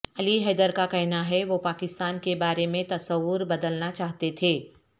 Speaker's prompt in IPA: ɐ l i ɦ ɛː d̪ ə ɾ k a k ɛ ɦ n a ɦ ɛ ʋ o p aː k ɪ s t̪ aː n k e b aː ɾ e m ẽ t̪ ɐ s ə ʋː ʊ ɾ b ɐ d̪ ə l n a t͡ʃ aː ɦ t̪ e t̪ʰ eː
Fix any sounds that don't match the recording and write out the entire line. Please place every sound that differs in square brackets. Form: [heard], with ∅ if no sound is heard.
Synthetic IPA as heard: ɐ l i ɦ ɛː d̪ ə ɾ k a k ɛ ɦ n a ɦ ɛ ʋ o p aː k ɪ s t̪ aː n k e b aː ɾ e m ẽ t̪ ɐ s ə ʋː ʊ ɾ b ɐ d̪ ə l n a t͡ʃ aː ɦ t̪ e t̪ʰ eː